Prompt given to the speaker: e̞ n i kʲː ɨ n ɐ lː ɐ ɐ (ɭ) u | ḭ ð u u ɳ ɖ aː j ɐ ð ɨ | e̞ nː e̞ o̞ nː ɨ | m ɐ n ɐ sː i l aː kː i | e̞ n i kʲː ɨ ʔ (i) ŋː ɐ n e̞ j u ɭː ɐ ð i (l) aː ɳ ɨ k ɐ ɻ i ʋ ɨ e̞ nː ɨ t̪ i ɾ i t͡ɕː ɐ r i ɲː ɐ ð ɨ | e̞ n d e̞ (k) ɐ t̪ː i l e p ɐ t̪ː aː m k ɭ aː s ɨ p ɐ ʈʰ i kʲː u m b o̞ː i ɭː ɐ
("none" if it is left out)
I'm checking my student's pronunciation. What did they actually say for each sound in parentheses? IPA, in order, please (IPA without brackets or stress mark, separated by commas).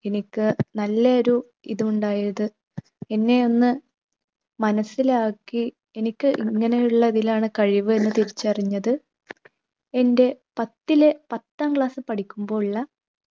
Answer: ɾ, i, l, p